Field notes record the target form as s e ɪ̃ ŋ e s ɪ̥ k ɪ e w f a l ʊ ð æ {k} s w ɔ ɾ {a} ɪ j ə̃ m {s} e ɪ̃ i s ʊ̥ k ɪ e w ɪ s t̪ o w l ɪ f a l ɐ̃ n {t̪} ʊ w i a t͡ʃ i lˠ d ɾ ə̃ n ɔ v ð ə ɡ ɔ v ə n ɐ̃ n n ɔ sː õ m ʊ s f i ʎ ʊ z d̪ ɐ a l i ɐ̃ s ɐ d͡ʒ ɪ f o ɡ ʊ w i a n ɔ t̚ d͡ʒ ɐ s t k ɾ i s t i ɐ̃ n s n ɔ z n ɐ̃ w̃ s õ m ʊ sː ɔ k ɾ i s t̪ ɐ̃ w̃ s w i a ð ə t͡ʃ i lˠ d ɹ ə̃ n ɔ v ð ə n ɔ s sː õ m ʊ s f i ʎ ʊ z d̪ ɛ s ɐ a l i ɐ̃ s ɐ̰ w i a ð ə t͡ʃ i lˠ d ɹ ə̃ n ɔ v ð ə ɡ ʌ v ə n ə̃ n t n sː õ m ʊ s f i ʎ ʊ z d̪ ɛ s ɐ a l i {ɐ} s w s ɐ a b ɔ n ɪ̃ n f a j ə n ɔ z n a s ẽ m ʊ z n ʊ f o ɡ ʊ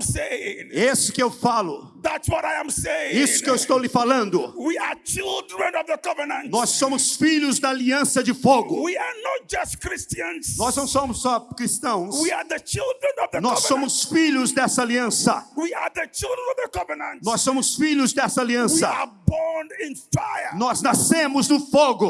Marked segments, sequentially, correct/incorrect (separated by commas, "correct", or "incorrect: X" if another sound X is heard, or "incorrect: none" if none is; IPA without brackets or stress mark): incorrect: t, correct, correct, incorrect: d̪, incorrect: ɐ̃